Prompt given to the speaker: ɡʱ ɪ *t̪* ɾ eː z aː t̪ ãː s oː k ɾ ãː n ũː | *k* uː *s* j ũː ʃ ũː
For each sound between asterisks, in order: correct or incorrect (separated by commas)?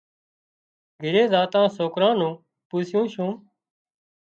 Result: incorrect, incorrect, correct